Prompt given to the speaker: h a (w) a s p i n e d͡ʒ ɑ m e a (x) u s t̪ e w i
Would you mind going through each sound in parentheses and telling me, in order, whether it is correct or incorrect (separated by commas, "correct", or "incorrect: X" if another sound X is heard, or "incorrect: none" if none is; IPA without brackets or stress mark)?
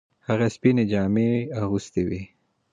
incorrect: ɣ, incorrect: ɣ